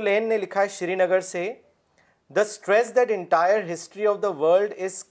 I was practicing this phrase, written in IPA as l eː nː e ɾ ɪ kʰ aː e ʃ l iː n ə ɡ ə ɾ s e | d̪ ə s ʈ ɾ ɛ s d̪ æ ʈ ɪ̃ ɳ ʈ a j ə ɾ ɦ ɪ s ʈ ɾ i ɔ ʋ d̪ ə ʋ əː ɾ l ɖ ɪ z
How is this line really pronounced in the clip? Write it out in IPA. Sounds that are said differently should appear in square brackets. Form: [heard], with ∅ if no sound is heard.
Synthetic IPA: l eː nː e [l] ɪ kʰ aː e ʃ [ɾ] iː n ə ɡ ə ɾ s e | d̪ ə s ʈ ɾ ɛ s d̪ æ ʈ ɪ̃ ɳ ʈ a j ə ɾ ɦ ɪ s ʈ ɾ i ɔ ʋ d̪ ə ʋ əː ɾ l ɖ ɪ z